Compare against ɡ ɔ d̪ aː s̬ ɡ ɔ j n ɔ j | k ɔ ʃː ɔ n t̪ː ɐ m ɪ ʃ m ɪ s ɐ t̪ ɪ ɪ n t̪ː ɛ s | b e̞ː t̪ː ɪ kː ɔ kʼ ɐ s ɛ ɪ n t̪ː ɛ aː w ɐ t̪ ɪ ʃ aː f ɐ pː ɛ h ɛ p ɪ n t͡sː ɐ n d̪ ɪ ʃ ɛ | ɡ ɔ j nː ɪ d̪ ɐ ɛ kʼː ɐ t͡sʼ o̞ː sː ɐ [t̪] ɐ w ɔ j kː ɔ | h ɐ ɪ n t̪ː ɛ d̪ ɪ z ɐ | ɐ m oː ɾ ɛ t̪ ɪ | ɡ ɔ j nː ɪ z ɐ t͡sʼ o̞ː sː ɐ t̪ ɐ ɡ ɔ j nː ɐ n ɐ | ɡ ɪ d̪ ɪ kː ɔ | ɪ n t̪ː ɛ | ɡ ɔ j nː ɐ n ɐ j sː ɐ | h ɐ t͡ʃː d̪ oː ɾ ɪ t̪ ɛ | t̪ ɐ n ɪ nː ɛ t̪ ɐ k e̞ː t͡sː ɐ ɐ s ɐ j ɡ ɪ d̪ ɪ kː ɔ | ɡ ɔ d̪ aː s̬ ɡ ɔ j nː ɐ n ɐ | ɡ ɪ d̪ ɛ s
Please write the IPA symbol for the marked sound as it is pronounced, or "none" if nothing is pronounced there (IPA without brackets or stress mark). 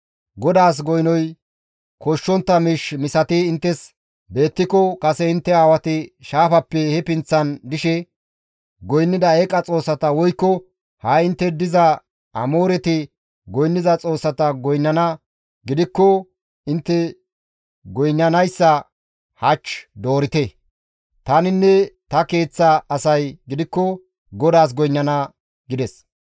t̪